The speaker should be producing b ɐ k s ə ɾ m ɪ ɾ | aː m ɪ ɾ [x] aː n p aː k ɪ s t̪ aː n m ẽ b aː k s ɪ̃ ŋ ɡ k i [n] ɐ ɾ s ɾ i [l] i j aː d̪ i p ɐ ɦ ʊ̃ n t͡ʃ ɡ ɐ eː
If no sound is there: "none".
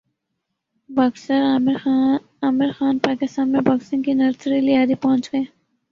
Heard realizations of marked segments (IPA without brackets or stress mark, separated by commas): x, n, l